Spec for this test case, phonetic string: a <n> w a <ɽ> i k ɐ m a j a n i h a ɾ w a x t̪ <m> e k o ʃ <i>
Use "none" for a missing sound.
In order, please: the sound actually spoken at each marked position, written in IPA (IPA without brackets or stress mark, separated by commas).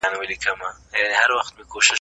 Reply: n, l, m, ɪ